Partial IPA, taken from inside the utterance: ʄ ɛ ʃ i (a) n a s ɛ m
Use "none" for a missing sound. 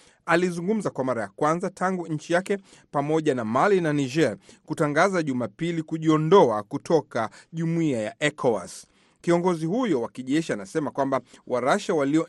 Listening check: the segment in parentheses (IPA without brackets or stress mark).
a